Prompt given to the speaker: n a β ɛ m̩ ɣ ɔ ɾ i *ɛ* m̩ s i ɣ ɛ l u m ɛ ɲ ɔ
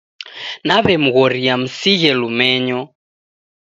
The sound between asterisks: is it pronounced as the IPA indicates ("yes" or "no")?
no